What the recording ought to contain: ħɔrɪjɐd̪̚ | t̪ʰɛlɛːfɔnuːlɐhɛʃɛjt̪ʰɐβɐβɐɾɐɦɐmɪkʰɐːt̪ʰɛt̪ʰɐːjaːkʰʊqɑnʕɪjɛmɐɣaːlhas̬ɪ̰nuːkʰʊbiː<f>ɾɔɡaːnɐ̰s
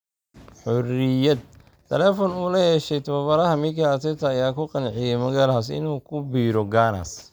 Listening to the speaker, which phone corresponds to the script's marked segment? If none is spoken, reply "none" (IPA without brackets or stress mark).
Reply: none